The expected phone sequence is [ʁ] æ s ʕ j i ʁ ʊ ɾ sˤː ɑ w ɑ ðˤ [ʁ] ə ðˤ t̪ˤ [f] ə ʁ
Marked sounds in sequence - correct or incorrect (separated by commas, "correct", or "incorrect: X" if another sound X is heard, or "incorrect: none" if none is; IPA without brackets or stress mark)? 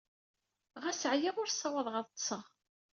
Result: correct, correct, incorrect: s